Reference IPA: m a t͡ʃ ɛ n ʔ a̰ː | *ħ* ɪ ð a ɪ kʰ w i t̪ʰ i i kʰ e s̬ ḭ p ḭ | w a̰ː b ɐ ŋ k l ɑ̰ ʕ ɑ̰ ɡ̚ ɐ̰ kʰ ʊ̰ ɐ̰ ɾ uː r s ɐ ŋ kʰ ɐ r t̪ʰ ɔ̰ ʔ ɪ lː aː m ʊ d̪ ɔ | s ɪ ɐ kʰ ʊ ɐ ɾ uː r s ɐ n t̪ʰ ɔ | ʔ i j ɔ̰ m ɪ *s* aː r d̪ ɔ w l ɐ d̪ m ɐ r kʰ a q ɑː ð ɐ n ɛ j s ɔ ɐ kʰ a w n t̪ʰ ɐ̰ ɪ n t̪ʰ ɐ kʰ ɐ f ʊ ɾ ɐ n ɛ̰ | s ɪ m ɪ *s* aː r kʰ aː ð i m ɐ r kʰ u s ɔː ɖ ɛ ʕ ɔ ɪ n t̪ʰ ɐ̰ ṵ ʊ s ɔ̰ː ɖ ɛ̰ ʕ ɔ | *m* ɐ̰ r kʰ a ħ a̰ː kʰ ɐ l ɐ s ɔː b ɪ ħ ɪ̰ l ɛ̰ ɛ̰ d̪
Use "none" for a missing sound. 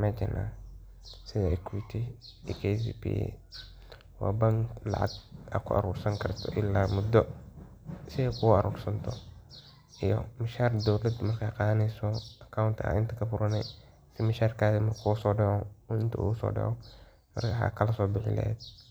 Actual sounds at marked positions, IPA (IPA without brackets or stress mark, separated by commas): s, ʃ, ʃ, m